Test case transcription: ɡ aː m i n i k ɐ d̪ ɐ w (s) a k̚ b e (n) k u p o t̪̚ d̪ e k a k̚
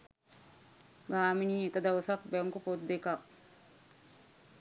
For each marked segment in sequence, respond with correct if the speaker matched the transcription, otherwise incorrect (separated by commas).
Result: correct, incorrect